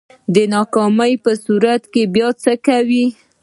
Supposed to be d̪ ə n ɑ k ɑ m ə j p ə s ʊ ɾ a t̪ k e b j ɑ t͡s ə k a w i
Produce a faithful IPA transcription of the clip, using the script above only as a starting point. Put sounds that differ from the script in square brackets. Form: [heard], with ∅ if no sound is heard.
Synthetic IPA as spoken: d̪ ə n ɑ k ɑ m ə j p ə s [u] ɾ a t̪ k e b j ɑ t͡s ə k a w i